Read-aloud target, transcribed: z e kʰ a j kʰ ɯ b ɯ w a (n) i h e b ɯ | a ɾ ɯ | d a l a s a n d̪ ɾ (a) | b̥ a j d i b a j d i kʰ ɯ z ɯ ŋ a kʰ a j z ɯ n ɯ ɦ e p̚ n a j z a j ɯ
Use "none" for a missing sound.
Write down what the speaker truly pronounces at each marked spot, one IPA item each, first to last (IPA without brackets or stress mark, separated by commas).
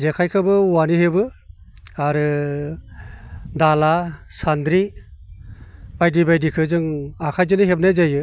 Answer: n, i